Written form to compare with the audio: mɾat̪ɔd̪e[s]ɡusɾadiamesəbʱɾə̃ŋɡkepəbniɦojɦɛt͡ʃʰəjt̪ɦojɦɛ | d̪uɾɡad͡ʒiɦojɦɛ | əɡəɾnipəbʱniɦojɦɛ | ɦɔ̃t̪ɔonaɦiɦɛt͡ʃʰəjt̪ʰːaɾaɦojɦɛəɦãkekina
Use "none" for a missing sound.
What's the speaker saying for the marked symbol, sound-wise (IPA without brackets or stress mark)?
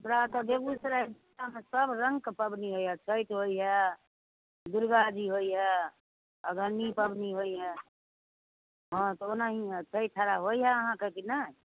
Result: none